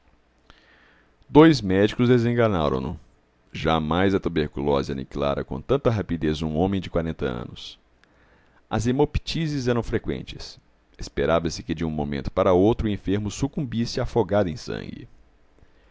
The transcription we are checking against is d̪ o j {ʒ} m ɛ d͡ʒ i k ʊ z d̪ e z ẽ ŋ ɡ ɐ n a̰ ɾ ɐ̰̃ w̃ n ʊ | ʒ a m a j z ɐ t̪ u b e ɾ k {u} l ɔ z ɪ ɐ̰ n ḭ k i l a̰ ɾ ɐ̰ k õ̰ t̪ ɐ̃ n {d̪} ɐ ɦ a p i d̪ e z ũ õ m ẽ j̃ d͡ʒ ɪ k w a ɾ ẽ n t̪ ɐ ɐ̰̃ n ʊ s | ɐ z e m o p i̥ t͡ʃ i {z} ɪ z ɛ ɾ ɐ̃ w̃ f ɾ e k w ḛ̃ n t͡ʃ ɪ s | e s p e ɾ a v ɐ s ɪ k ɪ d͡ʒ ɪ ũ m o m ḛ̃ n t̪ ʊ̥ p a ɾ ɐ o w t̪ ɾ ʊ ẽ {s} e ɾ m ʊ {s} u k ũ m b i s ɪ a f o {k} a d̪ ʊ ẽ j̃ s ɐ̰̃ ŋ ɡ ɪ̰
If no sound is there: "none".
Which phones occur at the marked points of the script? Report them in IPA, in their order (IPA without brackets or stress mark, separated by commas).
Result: z, u, t̪, z, f, s, ɡ